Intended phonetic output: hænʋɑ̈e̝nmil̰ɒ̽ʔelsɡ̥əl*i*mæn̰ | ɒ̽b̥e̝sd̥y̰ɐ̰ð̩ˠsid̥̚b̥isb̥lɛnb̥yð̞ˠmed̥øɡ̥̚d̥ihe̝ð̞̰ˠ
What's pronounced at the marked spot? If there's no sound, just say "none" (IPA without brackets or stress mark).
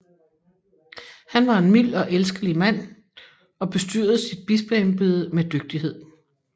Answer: i